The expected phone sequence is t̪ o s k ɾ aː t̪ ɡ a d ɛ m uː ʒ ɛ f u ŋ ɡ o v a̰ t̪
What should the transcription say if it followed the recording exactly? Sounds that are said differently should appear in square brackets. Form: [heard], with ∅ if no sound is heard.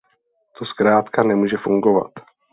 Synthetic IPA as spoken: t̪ o s k ɾ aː t̪ [k] a [n] ɛ m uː ʒ ɛ f u ŋ ɡ o v a̰ t̪

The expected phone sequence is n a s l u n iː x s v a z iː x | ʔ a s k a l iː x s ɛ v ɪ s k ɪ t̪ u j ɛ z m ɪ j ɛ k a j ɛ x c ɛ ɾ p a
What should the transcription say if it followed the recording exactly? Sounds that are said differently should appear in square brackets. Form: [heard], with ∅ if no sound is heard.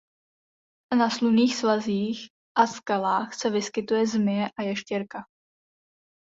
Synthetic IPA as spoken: n a s l u n iː x s v a z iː x | ʔ a s k a l [aː] x s ɛ v ɪ s k ɪ t̪ u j ɛ z m ɪ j ɛ [ʔ] a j ɛ [ʃ] c ɛ ɾ [k] a

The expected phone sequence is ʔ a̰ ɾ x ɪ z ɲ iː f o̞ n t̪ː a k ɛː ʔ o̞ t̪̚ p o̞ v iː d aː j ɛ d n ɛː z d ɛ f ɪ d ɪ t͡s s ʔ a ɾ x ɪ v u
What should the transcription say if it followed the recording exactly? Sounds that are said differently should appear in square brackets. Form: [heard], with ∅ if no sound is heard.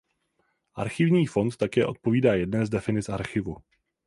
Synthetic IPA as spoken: ʔ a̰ ɾ x ɪ [v] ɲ iː f o̞ n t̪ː a k ɛː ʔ o̞ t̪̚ p o̞ v iː d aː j ɛ d n ɛː z d ɛ f ɪ [n] ɪ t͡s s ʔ a ɾ x ɪ v u

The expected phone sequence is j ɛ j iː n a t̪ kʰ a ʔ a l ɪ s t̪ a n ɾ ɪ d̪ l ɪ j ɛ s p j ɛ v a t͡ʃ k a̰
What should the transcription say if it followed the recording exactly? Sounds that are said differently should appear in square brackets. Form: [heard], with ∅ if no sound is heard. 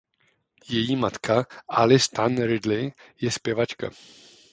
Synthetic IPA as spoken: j ɛ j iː [m] a t̪ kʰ a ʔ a l ɪ s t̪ a n ɾ ɪ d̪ l ɪ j ɛ s p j ɛ v a t͡ʃ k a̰

